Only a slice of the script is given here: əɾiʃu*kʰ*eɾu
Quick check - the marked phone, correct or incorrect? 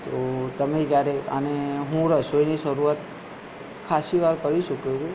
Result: incorrect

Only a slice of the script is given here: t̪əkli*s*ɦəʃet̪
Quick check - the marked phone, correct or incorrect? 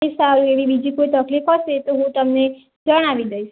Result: incorrect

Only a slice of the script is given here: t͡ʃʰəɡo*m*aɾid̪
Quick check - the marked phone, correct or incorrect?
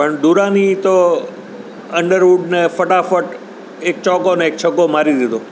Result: correct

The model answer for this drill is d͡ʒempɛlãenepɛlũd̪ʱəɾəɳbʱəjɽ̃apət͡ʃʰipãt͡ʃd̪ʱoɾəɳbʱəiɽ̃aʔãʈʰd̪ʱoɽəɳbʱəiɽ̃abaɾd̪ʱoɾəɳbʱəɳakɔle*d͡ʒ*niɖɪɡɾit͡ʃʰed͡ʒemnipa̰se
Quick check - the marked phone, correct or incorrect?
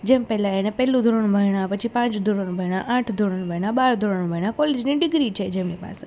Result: correct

